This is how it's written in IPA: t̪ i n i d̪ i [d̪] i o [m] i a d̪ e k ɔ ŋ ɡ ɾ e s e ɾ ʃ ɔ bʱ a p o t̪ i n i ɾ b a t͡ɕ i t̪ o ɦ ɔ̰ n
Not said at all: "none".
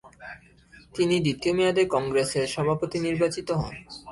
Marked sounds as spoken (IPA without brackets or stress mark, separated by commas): t̪, m